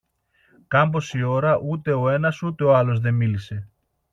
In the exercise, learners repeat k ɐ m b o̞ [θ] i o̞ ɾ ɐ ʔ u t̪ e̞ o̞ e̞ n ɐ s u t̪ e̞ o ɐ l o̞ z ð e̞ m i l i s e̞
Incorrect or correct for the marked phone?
incorrect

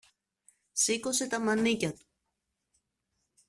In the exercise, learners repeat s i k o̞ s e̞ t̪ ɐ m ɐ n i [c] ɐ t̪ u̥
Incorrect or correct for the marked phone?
correct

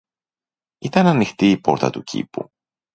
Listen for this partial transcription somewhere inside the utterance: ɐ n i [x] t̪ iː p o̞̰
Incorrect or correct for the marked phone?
correct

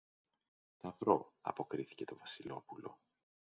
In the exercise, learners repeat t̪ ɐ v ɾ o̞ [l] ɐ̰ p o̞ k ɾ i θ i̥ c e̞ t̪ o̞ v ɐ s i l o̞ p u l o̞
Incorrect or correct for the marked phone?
incorrect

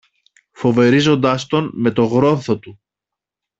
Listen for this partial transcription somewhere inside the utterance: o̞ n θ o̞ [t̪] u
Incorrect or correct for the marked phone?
correct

